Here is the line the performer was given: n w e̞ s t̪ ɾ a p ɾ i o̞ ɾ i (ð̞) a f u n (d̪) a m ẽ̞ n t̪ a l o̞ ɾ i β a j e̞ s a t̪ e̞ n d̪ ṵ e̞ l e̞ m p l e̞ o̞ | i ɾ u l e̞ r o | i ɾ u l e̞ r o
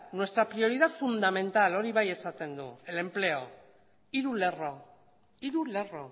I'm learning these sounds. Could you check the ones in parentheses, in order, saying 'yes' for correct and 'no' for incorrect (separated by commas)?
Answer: yes, yes